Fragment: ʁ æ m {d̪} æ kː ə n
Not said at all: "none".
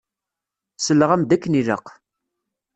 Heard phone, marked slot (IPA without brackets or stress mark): d̪